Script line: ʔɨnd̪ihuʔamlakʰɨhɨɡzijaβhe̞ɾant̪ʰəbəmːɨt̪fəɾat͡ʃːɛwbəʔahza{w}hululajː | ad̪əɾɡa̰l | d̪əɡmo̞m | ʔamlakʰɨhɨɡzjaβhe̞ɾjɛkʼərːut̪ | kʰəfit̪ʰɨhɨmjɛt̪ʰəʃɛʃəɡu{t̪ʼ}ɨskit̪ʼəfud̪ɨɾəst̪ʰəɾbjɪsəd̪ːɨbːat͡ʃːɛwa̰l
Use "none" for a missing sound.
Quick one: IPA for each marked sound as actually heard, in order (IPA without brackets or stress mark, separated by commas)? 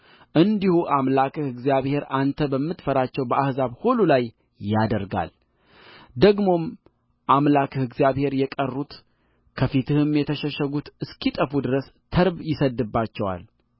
β, t̪